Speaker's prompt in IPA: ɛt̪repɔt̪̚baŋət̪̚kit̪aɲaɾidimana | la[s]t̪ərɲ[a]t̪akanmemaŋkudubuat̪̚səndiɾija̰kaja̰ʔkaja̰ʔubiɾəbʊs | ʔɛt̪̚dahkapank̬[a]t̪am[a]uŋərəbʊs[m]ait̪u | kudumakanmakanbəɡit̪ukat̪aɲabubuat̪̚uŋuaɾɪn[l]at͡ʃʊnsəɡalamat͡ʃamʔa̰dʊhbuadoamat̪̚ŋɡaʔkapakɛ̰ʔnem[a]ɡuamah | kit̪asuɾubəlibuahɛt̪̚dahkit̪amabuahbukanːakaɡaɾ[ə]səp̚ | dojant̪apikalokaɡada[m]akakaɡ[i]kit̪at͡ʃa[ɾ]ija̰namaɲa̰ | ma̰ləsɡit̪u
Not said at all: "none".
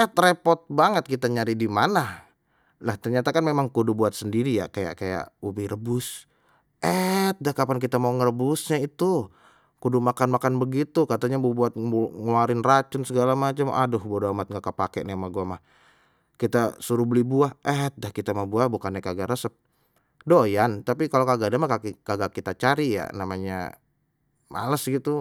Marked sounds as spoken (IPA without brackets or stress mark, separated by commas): h, a, i, a, ɲ, r, a, ə, m, a, ɾ